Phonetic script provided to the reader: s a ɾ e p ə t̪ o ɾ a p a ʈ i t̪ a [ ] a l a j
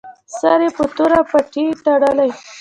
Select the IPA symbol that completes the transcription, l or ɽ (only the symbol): ɽ